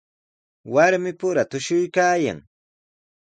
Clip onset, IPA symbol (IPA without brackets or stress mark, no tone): w